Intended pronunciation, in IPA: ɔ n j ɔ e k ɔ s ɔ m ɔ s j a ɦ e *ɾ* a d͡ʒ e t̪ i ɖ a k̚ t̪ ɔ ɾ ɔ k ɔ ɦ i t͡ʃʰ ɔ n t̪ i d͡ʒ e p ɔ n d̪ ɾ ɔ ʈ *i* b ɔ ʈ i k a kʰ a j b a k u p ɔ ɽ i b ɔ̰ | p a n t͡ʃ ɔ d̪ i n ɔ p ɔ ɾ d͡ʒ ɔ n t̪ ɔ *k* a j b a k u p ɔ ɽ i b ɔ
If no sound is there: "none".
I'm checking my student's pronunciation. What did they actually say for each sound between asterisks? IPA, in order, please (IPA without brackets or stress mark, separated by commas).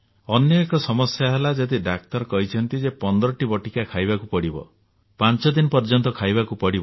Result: l, i, kʰ